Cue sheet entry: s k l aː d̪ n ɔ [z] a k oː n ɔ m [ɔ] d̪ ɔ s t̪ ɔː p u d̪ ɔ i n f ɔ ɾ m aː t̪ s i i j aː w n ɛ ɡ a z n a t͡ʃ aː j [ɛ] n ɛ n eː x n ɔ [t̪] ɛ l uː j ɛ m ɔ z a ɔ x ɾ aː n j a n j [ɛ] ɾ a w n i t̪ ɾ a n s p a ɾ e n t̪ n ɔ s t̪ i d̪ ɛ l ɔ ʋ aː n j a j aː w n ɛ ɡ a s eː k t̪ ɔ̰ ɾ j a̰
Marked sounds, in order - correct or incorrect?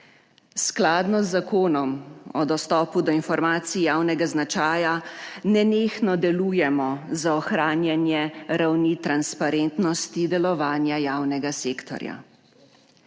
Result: incorrect: zː, correct, incorrect: a, incorrect: d̪, correct

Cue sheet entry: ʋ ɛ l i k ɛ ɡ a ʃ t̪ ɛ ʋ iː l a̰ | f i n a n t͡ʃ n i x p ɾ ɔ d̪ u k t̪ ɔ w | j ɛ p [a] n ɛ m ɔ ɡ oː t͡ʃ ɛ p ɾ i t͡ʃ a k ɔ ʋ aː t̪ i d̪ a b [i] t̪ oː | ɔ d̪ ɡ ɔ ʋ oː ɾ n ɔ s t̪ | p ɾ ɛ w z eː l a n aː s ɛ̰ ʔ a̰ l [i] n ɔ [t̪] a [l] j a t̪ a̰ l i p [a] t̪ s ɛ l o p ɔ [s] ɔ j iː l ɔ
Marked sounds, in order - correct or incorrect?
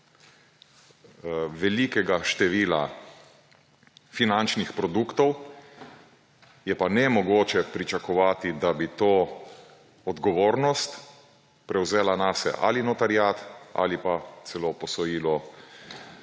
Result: correct, correct, correct, correct, incorrect: ɾ, correct, correct

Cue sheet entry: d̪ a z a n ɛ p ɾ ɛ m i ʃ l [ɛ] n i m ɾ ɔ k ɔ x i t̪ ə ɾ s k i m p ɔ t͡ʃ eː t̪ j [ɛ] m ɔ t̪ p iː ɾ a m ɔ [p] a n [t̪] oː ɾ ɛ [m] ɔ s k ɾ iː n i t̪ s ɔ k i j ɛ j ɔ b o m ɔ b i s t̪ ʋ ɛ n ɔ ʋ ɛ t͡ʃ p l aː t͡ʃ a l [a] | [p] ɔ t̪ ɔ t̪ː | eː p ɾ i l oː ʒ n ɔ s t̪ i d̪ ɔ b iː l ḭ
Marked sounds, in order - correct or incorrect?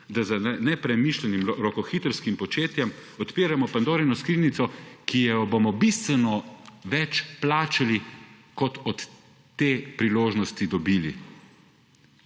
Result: correct, correct, correct, incorrect: d̪, incorrect: n, incorrect: i, incorrect: k

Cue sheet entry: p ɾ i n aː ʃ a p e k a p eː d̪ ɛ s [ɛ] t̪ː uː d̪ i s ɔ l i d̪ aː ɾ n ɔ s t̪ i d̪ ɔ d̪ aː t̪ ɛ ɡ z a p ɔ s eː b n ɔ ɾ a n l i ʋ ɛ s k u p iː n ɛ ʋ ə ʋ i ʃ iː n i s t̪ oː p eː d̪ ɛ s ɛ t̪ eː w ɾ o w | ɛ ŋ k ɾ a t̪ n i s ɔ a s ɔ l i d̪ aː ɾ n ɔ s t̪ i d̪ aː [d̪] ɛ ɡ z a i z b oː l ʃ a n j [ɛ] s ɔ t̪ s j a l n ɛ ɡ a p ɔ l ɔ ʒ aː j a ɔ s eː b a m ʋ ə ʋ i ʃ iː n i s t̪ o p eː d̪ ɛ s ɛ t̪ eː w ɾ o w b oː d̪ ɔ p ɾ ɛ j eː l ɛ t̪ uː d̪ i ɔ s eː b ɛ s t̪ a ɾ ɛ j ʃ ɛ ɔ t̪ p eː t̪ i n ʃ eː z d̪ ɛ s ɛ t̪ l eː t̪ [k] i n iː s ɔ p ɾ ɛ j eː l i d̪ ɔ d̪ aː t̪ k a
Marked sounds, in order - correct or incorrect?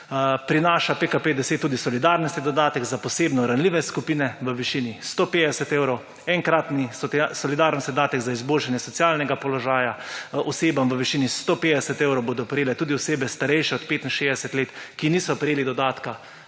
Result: incorrect: e, incorrect: t̪, correct, correct

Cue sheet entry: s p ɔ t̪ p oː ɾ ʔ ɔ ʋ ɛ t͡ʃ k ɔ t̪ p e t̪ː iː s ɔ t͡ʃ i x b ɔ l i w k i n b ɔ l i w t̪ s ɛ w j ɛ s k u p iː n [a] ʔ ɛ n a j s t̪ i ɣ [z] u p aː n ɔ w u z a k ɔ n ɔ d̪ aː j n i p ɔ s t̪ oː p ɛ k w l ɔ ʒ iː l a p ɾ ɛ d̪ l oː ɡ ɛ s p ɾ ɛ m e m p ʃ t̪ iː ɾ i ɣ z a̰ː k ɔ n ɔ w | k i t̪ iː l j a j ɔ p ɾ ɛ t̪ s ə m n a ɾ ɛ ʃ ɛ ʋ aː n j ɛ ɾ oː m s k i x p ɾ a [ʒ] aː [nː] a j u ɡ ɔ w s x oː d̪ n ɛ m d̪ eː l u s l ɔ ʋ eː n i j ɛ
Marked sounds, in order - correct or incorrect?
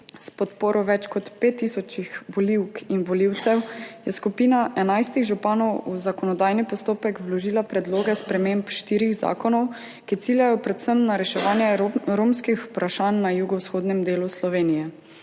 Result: correct, incorrect: ʒ, incorrect: ʃ, correct

